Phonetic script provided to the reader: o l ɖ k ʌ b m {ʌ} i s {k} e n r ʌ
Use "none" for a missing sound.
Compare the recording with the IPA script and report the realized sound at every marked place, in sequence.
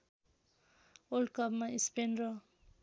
a, p

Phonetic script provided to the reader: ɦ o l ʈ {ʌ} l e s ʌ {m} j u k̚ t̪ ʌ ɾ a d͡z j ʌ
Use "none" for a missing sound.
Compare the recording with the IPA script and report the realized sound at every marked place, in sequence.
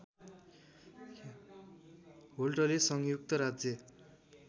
ʌ, ŋ

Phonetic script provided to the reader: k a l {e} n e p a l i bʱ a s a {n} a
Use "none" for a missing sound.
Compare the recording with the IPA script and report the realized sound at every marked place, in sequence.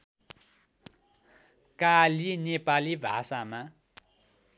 i, m

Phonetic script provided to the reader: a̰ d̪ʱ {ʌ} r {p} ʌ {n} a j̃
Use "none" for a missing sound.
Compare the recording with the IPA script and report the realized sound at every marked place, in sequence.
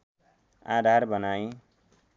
a, b, n

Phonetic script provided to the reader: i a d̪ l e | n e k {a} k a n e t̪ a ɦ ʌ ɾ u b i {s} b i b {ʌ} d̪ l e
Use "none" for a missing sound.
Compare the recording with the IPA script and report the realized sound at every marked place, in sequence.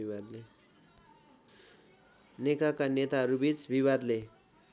a, t͡s, a

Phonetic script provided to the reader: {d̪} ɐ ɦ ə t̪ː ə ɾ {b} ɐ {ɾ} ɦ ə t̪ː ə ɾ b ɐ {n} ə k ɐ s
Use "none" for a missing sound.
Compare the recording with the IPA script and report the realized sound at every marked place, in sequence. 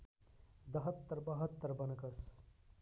d̪, b, none, n

